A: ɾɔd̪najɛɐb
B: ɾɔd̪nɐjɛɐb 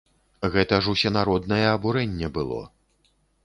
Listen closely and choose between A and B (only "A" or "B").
B